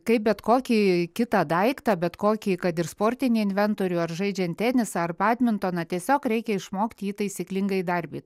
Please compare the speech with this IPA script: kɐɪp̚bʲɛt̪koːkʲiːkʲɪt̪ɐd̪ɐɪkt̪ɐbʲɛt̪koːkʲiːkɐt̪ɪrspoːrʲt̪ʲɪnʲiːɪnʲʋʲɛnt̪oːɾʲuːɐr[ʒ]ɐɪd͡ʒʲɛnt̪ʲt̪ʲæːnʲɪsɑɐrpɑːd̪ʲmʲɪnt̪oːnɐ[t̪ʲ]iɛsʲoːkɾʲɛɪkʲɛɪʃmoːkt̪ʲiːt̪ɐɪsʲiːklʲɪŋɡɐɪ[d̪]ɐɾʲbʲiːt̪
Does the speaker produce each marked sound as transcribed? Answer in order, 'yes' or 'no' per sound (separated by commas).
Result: yes, yes, yes